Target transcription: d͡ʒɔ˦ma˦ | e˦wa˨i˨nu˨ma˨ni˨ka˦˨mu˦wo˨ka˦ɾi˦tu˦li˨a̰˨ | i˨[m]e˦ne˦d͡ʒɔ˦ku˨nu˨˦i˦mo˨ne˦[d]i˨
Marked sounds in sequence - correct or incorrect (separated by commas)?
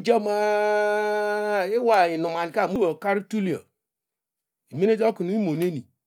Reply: correct, incorrect